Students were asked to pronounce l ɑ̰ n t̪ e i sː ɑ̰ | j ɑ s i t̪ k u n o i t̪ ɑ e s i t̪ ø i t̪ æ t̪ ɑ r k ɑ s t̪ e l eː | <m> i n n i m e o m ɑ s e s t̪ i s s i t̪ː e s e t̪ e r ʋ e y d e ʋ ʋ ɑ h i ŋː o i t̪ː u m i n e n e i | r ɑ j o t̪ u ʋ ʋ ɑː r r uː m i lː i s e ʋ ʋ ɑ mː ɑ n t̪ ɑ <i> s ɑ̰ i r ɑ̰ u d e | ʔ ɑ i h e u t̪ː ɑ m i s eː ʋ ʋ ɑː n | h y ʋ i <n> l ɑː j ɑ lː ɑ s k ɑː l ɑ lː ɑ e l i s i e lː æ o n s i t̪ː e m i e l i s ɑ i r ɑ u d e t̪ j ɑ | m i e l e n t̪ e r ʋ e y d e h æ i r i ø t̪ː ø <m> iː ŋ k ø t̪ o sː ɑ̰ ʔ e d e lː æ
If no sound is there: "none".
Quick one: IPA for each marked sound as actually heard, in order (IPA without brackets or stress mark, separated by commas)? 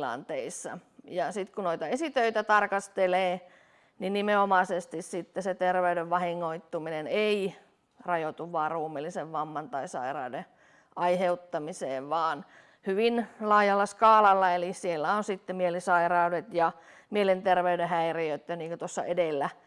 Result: n, i, n, n